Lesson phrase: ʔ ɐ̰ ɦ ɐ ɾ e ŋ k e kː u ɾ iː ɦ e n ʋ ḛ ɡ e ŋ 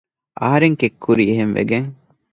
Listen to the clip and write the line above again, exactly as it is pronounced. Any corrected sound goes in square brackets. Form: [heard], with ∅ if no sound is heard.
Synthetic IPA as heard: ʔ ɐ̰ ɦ ɐ ɾ e ŋ k e kː u ɾ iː ɦ e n ʋ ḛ ɡ e ŋ